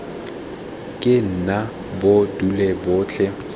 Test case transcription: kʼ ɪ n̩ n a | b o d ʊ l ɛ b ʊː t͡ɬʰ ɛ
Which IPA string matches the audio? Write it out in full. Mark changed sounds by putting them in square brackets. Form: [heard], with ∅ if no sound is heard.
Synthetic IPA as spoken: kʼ ɪ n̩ n a | b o d [u] l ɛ b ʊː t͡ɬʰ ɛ